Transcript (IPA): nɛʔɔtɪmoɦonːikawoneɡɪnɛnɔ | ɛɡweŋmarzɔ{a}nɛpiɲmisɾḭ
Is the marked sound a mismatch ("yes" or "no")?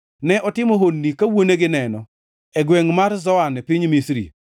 no